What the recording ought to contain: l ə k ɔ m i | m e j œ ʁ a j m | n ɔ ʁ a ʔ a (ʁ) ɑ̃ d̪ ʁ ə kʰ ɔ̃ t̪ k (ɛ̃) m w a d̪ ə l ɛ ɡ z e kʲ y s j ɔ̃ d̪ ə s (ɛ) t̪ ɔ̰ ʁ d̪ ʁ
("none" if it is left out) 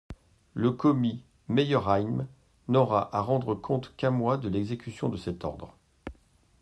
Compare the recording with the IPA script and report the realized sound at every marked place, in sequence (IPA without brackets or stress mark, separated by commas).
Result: ʁ, ɛ̃, ɛ